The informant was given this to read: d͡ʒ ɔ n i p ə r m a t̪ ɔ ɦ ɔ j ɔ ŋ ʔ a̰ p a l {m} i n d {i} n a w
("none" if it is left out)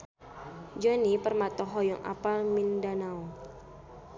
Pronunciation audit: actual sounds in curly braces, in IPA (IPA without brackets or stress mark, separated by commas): m, a